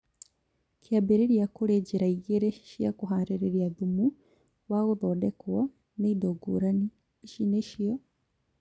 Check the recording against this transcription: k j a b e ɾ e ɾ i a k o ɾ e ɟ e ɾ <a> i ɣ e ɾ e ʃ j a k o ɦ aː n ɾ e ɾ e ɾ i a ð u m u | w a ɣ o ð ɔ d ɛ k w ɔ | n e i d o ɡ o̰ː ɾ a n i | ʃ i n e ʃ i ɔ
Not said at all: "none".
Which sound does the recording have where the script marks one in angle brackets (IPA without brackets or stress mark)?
a